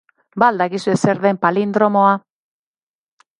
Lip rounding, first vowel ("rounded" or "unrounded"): unrounded